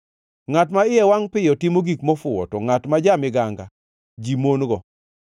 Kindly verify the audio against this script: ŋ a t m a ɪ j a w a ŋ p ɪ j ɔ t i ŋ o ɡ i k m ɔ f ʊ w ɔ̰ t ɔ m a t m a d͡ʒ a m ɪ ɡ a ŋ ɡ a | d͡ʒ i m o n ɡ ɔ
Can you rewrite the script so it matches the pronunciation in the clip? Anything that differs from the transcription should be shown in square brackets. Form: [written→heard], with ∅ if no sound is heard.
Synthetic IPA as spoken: ŋ a t m a ɪ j [a→ɛ] w a ŋ p ɪ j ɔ t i [ŋ→m] o ɡ i k m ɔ f ʊ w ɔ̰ t ɔ [m→ŋ] a t m a d͡ʒ a m ɪ ɡ a ŋ ɡ a | d͡ʒ i m o n ɡ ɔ

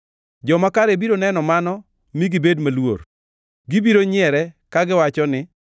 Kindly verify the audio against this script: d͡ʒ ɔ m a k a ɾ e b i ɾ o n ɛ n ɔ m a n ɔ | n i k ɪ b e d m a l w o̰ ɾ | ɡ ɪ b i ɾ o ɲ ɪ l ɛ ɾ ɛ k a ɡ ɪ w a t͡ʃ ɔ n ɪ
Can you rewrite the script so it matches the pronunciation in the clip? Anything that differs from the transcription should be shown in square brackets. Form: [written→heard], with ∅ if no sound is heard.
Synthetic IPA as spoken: d͡ʒ ɔ m a k a ɾ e b i ɾ o n ɛ n ɔ m a n ɔ | [n→m] i [k→ɡ] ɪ b e d m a l w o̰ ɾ | ɡ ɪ b i ɾ o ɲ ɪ [l→∅] ɛ ɾ ɛ k a ɡ ɪ w a t͡ʃ ɔ n ɪ

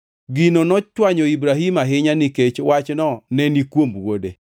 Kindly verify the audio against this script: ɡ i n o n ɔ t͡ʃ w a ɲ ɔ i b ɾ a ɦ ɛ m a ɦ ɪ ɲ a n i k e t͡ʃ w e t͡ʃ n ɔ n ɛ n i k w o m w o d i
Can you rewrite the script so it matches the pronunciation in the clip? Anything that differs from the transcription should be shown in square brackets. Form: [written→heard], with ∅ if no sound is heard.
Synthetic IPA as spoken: ɡ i n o n ɔ t͡ʃ w a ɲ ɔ i b ɾ a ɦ [ɛ→i] m a ɦ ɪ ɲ a n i k e t͡ʃ w [e→a] t͡ʃ n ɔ n ɛ n i k w o m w o d [i→e]

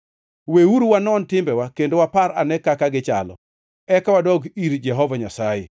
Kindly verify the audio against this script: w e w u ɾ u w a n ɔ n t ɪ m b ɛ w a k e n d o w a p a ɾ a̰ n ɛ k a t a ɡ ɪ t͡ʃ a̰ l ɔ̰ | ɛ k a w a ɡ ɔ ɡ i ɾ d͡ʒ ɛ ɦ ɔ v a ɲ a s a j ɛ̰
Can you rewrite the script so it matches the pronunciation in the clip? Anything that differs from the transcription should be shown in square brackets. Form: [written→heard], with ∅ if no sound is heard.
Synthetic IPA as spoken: w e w u ɾ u w a n ɔ n t ɪ m b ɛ w a k e n d o w a p a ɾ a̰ n ɛ k a [t→k] a ɡ ɪ t͡ʃ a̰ l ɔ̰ | ɛ k a w a [ɡ→d] ɔ ɡ i ɾ d͡ʒ ɛ ɦ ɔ v a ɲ a s a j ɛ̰

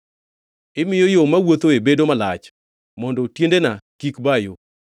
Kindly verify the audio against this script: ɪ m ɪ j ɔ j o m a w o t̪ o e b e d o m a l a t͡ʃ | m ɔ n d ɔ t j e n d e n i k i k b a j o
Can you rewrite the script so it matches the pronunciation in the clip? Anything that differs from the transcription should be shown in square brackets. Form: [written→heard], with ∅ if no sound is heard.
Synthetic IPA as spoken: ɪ m ɪ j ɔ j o m a w o t̪ o e b e d o m a l a t͡ʃ | m ɔ n d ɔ t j e n d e n [i→a] k i k b a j o

